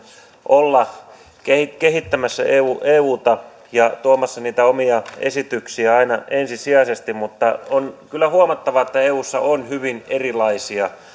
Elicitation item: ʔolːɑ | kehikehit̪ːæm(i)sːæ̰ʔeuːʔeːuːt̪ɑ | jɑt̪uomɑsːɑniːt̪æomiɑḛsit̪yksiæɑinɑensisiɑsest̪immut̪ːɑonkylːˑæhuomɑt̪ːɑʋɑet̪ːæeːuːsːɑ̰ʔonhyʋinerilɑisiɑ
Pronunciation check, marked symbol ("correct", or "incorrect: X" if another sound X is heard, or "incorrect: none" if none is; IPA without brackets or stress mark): incorrect: æ